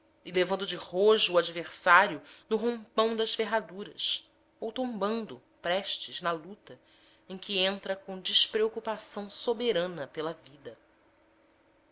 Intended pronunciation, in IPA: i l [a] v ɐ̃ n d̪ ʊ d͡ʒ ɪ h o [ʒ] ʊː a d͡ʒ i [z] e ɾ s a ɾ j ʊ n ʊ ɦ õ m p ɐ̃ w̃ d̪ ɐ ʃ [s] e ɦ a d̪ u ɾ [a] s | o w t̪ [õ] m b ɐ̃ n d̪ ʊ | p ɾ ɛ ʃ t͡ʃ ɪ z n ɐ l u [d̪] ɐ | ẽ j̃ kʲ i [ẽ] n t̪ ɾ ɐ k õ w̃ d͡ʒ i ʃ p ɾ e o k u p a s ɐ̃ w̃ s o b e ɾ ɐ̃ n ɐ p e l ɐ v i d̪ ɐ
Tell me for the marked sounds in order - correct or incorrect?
incorrect, correct, incorrect, incorrect, incorrect, correct, incorrect, correct

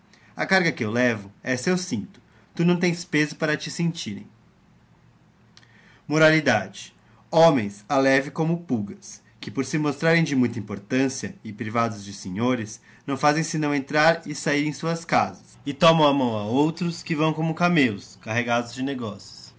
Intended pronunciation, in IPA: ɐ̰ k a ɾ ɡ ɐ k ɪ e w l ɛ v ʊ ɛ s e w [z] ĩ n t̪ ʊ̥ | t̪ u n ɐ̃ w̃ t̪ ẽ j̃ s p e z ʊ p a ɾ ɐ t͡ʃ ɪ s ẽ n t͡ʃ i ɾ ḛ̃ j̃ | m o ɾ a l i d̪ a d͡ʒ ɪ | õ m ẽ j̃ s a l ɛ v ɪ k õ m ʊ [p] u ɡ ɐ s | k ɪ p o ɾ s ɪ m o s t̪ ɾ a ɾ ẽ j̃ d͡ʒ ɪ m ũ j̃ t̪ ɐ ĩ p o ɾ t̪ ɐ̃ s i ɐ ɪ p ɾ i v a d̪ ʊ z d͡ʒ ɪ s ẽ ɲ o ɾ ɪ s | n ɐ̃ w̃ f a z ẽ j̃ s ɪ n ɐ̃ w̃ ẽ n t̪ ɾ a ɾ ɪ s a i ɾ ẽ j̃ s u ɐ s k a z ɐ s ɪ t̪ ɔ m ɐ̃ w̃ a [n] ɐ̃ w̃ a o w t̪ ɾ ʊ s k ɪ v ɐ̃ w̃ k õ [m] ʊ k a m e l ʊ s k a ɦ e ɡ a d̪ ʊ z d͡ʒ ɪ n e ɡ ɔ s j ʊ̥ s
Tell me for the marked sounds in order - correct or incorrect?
incorrect, correct, incorrect, correct

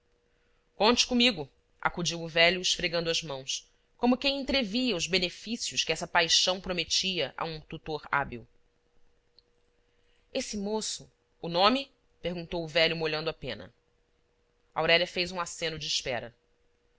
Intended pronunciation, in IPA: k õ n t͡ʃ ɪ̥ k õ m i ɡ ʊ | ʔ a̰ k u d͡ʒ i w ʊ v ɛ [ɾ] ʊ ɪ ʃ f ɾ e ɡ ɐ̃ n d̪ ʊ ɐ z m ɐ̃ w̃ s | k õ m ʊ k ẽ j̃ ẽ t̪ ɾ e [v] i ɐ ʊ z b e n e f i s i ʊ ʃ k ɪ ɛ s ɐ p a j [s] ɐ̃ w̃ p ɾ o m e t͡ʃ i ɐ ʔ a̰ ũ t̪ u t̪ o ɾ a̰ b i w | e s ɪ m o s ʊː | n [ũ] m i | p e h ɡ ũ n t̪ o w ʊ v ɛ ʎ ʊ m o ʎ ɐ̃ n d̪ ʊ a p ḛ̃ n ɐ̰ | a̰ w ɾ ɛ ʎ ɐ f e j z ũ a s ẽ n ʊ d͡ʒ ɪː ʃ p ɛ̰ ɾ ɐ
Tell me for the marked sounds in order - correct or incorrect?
incorrect, correct, incorrect, incorrect

